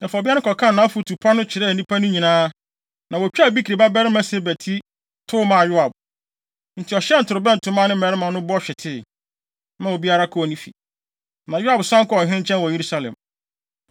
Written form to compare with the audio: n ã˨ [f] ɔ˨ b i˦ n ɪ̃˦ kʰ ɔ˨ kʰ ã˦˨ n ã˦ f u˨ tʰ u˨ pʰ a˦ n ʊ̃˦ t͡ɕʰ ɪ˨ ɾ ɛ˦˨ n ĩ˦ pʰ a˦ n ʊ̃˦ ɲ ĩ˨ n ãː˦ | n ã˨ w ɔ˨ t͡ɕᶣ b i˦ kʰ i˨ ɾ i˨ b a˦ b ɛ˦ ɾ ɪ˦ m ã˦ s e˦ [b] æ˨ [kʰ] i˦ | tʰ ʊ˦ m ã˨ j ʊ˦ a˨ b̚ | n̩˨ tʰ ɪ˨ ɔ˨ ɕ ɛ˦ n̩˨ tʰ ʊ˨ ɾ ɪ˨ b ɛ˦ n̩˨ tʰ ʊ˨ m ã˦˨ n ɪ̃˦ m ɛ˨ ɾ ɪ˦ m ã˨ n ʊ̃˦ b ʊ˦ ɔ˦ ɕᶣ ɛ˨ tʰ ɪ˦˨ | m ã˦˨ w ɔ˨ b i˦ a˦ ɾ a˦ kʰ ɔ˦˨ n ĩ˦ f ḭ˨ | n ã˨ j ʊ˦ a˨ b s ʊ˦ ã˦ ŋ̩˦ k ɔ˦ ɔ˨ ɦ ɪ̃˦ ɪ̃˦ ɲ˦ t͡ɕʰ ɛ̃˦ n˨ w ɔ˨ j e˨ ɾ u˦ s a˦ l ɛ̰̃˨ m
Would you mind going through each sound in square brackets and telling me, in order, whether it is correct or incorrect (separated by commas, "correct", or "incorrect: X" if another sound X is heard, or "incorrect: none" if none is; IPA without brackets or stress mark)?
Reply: correct, correct, incorrect: tʰ